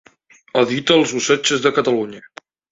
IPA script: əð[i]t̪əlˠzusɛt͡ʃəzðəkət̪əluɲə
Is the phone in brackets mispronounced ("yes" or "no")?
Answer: no